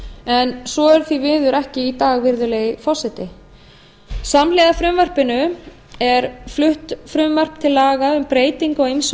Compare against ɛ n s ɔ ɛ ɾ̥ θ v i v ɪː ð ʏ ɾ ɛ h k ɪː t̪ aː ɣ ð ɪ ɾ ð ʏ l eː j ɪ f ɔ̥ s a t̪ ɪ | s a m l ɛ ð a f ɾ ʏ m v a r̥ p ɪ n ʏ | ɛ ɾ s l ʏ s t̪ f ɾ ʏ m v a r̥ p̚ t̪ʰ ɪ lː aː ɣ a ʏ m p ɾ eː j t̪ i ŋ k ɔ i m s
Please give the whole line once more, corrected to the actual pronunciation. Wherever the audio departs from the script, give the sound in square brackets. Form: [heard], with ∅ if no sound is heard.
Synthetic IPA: ɛ n s ɔ ɛ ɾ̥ θ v i v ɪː ð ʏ ɾ ɛ h [c] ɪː t̪ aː ɣ [v] ɪ ɾ ð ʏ l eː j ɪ f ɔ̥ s [ɛ] t̪ ɪ | s a m l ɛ ð a f ɾ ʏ m v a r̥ p ɪ n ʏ | ɛ ɾ [f] l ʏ [h] t̪ f ɾ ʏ m v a r̥ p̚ t̪ʰ ɪ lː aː ɣ a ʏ m p ɾ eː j t̪ i ŋ k ɔ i m s